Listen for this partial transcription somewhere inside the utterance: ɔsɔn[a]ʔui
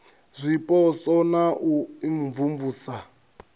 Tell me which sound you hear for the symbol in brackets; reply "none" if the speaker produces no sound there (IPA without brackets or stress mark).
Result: a